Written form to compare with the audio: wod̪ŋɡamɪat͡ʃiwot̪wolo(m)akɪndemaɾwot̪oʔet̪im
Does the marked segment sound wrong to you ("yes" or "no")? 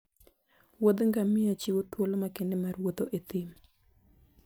no